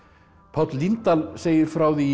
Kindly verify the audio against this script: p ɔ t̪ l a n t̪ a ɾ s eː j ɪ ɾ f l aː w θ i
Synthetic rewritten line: pʰ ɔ t̪ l i n t̪ a l s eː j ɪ ɾ f ɾ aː w ð i